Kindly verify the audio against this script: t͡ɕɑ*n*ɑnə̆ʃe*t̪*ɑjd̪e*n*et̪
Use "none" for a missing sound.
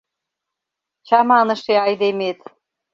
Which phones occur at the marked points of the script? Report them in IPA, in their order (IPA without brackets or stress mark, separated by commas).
m, none, m